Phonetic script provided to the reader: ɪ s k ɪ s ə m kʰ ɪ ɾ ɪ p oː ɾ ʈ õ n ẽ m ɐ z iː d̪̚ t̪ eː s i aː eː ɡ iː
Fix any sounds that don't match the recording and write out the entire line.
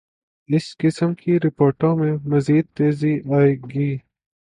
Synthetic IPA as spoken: ɪ s k ɪ s ə m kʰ i ɾ ɪ p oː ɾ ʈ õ m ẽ m ɐ z iː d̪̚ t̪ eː z i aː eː ɡ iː